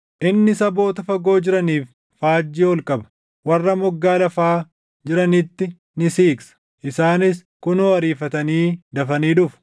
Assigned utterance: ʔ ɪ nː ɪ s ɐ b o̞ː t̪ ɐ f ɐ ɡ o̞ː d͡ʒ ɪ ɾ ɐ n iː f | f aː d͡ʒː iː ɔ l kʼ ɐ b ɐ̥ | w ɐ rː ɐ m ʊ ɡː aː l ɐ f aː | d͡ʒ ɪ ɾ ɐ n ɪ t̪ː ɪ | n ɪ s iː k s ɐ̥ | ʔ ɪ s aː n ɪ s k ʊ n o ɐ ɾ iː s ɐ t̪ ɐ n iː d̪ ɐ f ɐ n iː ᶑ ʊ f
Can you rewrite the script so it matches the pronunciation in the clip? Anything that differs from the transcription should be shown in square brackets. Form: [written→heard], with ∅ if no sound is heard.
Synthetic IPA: ʔ ɪ nː ɪ s ɐ b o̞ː t̪ ɐ f ɐ ɡ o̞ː d͡ʒ ɪ ɾ ɐ n iː f | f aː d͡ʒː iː ɔ l kʼ ɐ b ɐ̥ | w ɐ rː ɐ m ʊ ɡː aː l ɐ f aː | d͡ʒ ɪ ɾ ɐ n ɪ t̪ː ɪ | n ɪ s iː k s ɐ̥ | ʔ ɪ s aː n ɪ s k ʊ n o ɐ ɾ iː [s→f] ɐ t̪ ɐ n iː d̪ ɐ f ɐ n iː ᶑ ʊ f